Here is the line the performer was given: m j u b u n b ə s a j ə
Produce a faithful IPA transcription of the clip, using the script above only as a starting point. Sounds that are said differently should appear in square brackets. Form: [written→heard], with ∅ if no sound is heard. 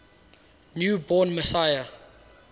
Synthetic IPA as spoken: [m→n] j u b [u→ɔ] n [b→m] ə s a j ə